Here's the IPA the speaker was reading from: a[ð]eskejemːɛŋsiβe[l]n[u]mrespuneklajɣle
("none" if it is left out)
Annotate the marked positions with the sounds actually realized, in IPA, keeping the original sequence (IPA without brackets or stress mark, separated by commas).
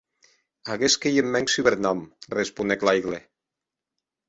ɣ, ɾ, ɔ